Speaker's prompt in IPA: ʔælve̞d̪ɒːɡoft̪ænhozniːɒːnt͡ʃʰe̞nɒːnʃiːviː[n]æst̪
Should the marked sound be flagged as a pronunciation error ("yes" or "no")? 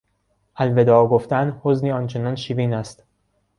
no